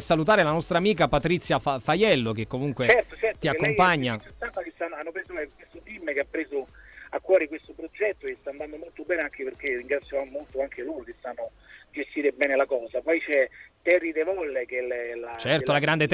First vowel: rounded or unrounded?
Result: unrounded